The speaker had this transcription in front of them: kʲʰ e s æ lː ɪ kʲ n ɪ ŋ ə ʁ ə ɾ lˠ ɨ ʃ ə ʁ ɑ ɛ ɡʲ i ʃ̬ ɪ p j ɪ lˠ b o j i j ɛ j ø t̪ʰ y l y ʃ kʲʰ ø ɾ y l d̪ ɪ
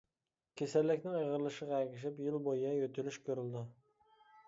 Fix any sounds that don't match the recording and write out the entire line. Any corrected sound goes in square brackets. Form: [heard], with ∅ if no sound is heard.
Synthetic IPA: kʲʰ e s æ lː ɪ kʲ n ɪ ŋ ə ʁ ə ɾ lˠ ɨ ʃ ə ʁ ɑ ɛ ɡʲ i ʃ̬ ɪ p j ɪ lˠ b o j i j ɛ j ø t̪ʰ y l y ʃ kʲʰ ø ɾ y l d̪ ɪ